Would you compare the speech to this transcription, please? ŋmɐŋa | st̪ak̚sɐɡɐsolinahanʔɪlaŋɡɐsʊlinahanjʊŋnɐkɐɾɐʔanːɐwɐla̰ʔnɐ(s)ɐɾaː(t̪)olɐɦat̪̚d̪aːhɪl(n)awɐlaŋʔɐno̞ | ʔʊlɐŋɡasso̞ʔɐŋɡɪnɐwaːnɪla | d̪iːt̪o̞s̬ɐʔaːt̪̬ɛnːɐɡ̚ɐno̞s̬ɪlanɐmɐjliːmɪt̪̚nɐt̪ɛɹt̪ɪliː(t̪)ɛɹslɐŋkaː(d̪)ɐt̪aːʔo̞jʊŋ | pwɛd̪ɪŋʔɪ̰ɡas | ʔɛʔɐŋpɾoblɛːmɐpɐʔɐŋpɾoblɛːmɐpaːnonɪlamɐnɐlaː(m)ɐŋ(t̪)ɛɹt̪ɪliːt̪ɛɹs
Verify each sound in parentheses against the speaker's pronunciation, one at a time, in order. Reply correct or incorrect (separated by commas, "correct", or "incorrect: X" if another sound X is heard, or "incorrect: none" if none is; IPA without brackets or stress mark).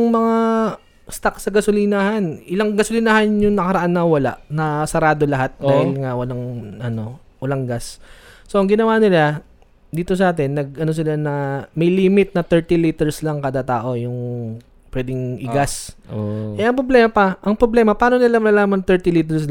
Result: correct, incorrect: d̪, incorrect: ŋ, correct, correct, correct, correct